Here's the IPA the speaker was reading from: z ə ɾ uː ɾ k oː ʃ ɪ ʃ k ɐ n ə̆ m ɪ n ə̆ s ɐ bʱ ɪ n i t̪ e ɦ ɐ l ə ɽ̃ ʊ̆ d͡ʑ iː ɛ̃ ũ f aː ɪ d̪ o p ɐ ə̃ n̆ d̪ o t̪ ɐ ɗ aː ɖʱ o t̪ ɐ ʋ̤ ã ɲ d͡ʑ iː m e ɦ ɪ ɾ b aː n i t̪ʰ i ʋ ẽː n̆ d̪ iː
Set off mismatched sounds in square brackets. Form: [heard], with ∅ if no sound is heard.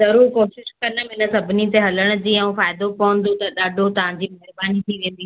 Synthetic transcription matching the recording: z [ɐ] ɾ uː ɾ k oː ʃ ɪ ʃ k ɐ n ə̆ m ɪ n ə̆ s ɐ bʱ ɪ n i t̪ e ɦ ɐ l ə ɽ̃ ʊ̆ d͡ʑ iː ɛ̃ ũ f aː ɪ d̪ o p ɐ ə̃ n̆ d̪ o t̪ ɐ ɗ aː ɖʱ o t̪ ɐ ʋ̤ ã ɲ d͡ʑ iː m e ɦ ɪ ɾ b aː n i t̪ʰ i ʋ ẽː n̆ d̪ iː

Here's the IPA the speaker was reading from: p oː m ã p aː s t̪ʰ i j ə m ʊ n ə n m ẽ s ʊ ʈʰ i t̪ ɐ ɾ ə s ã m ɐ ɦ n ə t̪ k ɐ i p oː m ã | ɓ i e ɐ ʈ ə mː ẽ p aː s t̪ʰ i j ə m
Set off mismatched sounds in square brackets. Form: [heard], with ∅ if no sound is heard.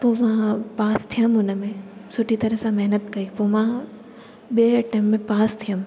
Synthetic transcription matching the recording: p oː m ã p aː s t̪ʰ i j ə m ʊ n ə [∅] m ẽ s ʊ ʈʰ i t̪ ɐ ɾ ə s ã m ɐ ɦ n ə t̪ k ɐ i p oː m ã | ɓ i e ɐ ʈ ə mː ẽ p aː s t̪ʰ i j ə m

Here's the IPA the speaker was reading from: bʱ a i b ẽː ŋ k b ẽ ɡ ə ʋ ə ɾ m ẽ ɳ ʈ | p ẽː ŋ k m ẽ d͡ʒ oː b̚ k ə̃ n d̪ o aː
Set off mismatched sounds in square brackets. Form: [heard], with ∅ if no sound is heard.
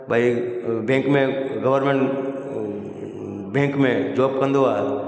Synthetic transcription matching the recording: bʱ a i b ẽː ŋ k [m] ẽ ɡ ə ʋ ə ɾ m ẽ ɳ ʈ | [b] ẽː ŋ k m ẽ d͡ʒ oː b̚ k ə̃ n d̪ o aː

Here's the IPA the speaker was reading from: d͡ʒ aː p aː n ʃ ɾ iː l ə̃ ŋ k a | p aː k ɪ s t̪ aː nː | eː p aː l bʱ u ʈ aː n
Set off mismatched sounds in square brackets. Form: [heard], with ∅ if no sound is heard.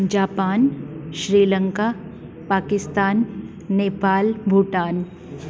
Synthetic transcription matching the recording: d͡ʒ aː p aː n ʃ ɾ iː l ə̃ ŋ k a | p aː k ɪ s t̪ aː nː | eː p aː l bʱ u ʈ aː n

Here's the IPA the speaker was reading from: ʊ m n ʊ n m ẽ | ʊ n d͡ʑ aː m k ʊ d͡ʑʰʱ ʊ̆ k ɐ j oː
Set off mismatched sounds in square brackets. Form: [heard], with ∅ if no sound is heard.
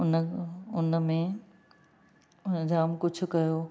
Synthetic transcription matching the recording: ʊ [∅] n ʊ n m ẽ | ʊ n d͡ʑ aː m k ʊ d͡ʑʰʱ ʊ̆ k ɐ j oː

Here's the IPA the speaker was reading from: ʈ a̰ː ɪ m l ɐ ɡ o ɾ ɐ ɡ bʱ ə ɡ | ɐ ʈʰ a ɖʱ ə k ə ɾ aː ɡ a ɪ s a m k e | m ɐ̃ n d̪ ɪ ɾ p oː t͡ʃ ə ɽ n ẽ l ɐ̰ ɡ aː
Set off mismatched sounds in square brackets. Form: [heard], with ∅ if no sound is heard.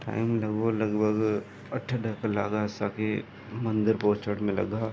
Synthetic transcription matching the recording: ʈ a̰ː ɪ m l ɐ ɡ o [l] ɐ ɡ bʱ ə ɡ | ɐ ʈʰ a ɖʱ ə k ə [l] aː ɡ a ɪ s a [∅] k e | m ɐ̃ n d̪ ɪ ɾ p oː t͡ʃ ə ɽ [m] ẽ l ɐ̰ ɡ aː

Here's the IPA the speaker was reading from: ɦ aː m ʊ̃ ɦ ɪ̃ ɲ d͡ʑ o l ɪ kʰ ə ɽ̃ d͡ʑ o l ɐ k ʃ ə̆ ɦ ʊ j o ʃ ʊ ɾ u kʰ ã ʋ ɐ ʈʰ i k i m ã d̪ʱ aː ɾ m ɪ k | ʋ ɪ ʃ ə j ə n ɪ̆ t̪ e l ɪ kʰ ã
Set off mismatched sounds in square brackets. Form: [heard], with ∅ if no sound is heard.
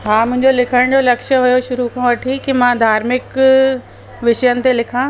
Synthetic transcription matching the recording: ɦ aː m ʊ̃ ɦ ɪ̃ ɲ d͡ʑ o l ɪ kʰ ə ɽ̃ d͡ʑ o l ɐ k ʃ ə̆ ɦ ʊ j o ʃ ʊ ɾ u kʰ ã ʋ ɐ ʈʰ i k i m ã d̪ʱ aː ɾ m ɪ k | ʋ ɪ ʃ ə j ə n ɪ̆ t̪ e l ɪ kʰ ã

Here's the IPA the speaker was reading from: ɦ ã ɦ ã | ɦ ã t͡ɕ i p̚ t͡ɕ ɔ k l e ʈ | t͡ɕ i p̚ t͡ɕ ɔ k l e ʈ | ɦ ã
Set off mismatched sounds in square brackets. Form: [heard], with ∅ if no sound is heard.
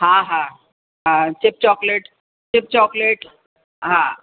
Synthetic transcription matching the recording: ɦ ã ɦ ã | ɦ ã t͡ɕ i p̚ t͡ɕ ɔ k l e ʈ | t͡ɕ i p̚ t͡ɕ ɔ k l e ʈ | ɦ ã

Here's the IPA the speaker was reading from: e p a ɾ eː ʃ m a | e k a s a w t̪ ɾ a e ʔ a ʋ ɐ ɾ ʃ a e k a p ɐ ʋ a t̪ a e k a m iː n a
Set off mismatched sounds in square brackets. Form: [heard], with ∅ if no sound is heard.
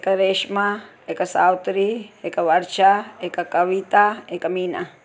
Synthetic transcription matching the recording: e [k] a ɾ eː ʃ m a | e k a s a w t̪ ɾ [i] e [k] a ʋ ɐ ɾ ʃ a e k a [k] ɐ ʋ [i] t̪ a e k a m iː n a

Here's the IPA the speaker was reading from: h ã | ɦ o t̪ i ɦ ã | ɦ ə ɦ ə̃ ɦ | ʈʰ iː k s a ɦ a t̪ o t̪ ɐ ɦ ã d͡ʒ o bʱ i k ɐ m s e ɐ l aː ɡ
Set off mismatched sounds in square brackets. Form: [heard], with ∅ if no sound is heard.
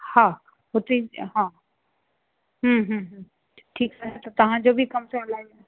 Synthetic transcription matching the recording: h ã | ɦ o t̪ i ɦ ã | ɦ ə ɦ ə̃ ɦ | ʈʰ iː k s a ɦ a t̪ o t̪ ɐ ɦ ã d͡ʒ o bʱ i k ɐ m s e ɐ l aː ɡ

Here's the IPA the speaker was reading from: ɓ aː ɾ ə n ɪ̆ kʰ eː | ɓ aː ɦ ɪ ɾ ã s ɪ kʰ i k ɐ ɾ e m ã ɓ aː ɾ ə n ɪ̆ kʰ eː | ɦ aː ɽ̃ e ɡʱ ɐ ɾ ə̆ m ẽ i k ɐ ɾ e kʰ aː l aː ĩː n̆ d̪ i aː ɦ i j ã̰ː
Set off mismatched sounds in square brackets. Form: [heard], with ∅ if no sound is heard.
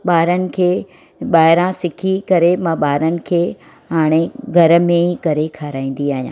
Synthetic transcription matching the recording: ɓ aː ɾ ə n ɪ̆ kʰ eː | ɓ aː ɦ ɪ ɾ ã s ɪ kʰ i k ɐ ɾ e m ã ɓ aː ɾ ə n ɪ̆ kʰ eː | ɦ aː ɽ̃ e ɡʱ ɐ ɾ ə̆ m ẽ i k ɐ ɾ e kʰ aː [ɾ] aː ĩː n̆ d̪ i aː ɦ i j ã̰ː

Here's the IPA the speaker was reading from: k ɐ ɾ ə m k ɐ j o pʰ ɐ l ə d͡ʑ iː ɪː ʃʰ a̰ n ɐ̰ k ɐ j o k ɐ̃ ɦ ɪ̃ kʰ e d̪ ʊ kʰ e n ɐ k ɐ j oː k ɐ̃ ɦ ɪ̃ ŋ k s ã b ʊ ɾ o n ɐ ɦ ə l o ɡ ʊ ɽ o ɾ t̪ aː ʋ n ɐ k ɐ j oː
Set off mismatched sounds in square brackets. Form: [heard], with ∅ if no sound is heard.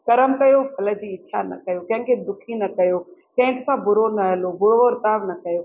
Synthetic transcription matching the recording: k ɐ ɾ ə m k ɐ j o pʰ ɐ l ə d͡ʑ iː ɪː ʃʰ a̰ n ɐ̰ k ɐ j o k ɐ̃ ɦ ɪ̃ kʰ e d̪ ʊ kʰ [i] n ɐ k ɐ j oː k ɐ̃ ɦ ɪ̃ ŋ k s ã b ʊ ɾ o n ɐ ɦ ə l o [b] ʊ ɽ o ɾ t̪ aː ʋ n ɐ k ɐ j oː

